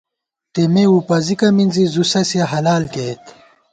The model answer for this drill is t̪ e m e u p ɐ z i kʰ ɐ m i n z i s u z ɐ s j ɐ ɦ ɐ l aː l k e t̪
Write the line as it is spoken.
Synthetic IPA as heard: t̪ e m e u p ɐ z i k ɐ m i n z i z u s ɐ s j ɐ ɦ ɐ l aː l k e t̪